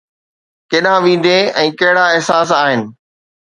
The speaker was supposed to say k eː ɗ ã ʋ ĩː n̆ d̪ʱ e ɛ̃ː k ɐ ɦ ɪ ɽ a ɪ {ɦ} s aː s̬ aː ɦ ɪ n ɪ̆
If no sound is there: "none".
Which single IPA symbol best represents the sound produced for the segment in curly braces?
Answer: ɦ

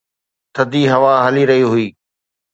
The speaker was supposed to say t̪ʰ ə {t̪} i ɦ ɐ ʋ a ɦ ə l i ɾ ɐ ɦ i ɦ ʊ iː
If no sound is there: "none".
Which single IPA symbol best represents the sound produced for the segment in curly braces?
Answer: d̪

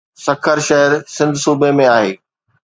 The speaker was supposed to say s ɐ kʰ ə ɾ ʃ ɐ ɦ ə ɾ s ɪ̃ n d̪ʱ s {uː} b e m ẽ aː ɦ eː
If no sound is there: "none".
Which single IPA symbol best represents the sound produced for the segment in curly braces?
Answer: uː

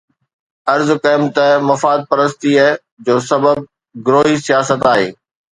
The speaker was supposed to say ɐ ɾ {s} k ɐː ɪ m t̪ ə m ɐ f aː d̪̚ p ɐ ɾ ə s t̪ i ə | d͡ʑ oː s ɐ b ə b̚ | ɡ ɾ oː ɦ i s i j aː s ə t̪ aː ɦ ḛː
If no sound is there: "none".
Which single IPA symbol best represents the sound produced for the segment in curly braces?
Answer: z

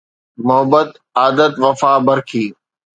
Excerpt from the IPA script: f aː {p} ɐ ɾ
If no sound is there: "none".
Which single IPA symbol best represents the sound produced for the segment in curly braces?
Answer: b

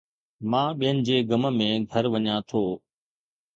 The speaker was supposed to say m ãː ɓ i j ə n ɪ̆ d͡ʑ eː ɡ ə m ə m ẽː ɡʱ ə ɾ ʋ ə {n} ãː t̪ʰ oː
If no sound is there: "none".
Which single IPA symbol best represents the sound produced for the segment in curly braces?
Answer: ɲ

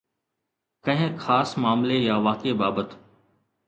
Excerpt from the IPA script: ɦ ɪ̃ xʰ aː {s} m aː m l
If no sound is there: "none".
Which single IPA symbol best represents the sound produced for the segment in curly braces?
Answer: s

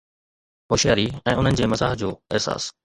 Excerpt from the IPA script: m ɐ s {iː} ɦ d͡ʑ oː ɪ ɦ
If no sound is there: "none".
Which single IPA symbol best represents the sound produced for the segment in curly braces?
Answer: aː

